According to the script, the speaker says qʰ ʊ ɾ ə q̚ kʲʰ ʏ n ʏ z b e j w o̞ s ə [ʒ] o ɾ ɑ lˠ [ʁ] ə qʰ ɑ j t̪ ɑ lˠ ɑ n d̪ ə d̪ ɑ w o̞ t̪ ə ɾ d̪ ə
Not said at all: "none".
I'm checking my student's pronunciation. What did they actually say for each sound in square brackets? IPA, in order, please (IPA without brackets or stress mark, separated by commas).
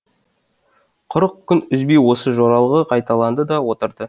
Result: ʒ, ʁ